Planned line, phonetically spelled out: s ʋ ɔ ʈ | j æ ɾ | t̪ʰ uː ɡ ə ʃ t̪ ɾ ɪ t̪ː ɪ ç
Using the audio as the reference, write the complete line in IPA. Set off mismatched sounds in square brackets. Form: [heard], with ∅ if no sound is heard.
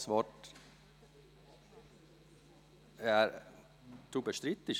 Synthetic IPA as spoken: s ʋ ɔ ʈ | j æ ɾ | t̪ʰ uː [b] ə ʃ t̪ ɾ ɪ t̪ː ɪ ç